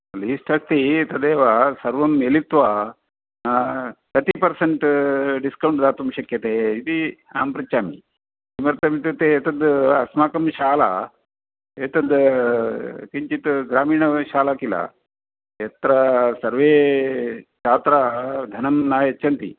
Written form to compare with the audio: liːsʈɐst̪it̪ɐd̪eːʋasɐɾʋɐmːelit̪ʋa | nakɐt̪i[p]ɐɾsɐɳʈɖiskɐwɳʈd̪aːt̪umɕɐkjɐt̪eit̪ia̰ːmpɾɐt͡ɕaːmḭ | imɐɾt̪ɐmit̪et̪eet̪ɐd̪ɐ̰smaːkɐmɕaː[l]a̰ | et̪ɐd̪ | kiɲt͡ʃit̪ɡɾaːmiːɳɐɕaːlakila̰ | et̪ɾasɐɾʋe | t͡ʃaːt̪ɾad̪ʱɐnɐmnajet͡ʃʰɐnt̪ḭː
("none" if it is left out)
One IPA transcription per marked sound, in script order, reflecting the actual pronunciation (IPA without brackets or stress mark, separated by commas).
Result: p, l